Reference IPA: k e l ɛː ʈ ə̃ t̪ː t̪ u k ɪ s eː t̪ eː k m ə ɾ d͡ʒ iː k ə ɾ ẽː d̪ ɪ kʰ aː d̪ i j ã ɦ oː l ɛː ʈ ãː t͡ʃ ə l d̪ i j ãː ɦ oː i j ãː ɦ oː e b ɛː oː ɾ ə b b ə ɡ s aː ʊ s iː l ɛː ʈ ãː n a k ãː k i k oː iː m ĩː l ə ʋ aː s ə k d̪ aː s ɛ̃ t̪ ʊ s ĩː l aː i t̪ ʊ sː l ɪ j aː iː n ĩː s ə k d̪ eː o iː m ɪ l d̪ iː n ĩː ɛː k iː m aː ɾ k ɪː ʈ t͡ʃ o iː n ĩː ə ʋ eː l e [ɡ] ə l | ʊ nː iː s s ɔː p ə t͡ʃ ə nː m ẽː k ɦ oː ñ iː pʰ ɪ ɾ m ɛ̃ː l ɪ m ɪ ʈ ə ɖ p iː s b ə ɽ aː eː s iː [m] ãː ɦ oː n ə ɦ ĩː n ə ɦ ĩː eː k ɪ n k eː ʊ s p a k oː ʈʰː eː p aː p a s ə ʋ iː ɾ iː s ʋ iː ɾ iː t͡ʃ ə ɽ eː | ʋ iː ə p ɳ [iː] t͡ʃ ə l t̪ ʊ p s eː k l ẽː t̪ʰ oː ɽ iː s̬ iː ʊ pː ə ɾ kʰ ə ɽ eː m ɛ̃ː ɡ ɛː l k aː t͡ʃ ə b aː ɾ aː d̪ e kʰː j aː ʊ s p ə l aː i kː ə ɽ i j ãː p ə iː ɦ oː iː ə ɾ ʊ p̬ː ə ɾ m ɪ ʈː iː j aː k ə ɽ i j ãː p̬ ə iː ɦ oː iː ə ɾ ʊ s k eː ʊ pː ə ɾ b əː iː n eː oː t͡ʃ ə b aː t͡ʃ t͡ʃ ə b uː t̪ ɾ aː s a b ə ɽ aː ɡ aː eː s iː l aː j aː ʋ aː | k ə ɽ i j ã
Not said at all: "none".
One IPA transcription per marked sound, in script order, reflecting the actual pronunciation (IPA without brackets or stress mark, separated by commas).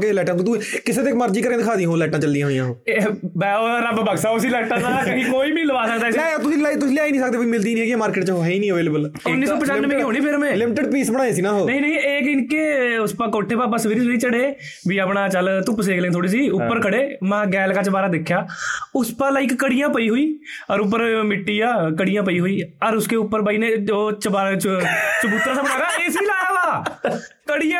b, n, aː